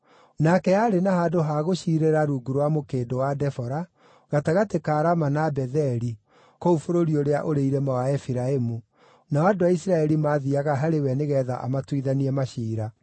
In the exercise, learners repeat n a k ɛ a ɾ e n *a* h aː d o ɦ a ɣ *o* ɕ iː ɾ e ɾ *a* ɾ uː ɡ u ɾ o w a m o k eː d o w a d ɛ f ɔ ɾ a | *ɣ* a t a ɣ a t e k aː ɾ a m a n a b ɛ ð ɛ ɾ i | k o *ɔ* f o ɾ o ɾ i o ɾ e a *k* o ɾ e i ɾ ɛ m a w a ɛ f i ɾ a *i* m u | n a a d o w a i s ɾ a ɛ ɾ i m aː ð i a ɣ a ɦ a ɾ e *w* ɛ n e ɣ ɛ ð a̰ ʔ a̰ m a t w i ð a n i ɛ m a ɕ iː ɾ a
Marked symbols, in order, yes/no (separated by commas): yes, yes, yes, yes, no, no, no, yes